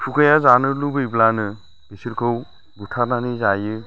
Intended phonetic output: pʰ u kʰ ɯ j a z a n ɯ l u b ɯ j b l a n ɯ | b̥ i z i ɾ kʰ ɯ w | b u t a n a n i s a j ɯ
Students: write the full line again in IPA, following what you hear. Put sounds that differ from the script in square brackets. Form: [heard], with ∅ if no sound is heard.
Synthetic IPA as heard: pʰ u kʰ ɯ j a z a n ɯ l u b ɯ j b l a n ɯ | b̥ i [s] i ɾ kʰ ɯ w | b u [tʰ] a n a n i [z] a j ɯ